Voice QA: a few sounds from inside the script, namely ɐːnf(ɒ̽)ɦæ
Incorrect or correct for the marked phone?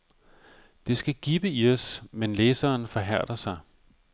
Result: correct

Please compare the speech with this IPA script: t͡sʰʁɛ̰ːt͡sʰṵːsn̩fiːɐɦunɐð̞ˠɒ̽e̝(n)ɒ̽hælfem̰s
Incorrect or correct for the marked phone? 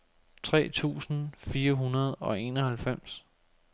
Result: correct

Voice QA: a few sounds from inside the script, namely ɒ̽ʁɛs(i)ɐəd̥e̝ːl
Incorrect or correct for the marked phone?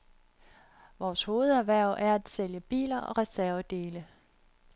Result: incorrect: æ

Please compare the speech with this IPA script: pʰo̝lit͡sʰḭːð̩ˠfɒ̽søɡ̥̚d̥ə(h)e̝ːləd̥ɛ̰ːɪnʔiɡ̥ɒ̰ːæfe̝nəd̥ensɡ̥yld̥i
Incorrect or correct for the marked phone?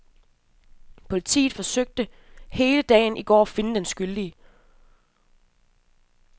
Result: correct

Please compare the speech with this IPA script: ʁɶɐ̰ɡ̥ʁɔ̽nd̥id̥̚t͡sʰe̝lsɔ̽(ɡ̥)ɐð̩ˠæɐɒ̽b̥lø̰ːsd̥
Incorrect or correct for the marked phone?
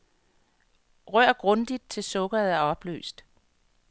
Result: correct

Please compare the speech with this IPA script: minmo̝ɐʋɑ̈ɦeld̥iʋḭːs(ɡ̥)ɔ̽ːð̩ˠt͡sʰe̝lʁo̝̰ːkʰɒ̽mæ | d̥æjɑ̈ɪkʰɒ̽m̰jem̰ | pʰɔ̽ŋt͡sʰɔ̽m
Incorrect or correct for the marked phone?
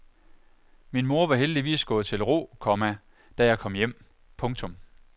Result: correct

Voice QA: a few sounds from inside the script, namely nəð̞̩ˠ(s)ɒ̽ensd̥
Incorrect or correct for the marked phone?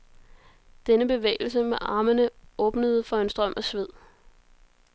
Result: incorrect: f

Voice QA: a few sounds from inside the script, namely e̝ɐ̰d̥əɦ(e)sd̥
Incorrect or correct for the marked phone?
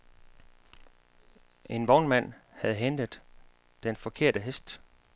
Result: correct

